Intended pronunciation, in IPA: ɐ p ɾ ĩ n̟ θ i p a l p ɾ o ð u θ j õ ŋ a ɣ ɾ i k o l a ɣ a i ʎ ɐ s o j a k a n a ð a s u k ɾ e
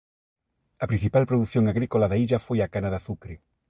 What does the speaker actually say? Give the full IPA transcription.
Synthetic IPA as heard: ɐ p ɾ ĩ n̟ θ i p a l p ɾ o ð u θ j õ ŋ a ɣ ɾ i k o l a ð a i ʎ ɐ f o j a k a n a ð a θ u k ɾ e